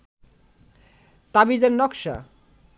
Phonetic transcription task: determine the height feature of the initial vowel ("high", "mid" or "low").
low